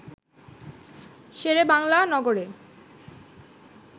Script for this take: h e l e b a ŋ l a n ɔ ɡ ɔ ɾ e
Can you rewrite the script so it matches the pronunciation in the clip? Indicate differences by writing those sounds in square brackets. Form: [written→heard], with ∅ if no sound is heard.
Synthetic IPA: [h→ʃ] e [l→ɾ] e b a ŋ l a n ɔ ɡ [ɔ→o] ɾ e